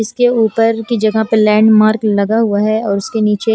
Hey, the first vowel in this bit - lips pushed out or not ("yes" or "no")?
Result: no